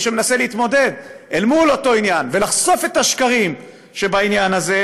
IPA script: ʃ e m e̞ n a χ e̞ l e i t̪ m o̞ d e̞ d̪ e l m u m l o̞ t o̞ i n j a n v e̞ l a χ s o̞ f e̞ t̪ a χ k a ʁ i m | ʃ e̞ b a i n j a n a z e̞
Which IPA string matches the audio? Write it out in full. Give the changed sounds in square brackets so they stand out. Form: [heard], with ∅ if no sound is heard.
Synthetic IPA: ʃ e m e̞ n a [s] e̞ l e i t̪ m o̞ d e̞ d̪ e l m u [∅] l o̞ t o̞ i n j a n v e̞ l a χ s o̞ f e̞ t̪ a [ʃ] k a ʁ i m | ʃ e̞ b a i n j a n a z e̞